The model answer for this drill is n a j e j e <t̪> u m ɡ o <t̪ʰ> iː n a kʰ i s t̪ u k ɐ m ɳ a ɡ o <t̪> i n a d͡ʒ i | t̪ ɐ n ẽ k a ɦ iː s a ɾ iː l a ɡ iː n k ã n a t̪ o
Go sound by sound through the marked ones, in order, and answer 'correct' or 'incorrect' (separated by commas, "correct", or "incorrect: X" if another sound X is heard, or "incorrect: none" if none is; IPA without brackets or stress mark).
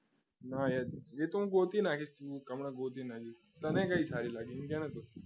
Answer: correct, incorrect: t̪, correct